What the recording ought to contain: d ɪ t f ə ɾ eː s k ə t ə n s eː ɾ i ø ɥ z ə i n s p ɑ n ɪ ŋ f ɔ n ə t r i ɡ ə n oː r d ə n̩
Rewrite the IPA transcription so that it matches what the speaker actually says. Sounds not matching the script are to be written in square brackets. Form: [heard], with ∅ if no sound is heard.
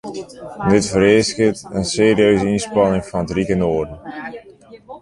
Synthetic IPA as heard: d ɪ t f ə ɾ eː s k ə t ə n s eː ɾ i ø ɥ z ə i n s p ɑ n ɪ ŋ f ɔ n ə t r i [k] ə n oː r d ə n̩